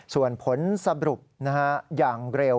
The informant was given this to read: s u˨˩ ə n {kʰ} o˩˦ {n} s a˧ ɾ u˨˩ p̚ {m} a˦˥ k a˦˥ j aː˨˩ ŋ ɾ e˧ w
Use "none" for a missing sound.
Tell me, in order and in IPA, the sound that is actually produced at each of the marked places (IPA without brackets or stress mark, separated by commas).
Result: pʰ, n, n